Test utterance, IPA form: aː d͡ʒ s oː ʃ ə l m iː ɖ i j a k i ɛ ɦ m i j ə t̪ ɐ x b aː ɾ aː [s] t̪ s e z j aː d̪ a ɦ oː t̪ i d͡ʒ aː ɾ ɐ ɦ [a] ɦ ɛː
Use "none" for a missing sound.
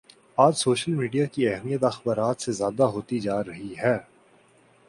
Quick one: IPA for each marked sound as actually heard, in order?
none, i

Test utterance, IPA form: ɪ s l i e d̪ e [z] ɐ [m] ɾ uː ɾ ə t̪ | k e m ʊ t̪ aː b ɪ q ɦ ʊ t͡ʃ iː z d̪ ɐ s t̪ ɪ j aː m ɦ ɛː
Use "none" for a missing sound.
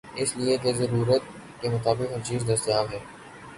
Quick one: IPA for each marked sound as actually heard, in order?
z, none

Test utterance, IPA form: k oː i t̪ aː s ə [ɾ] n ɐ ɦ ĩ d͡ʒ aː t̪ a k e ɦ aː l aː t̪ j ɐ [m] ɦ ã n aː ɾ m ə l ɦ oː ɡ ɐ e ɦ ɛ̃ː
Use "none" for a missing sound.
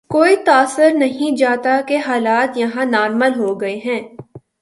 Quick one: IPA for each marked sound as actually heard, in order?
ɾ, none

